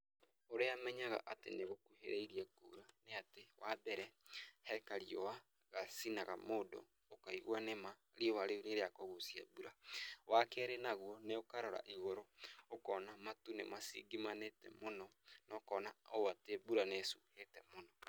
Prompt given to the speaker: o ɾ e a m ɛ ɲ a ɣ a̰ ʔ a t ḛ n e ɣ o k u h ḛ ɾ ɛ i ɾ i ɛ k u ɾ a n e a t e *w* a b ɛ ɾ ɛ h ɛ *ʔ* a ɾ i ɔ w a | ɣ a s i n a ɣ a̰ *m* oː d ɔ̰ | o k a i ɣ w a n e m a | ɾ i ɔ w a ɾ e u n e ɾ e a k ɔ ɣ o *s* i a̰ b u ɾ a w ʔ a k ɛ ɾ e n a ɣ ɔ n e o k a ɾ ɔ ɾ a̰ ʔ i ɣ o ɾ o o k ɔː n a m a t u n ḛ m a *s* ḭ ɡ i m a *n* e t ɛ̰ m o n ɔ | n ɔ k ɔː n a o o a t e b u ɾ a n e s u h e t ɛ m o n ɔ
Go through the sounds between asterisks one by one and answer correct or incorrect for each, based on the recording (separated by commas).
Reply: correct, incorrect, correct, correct, correct, correct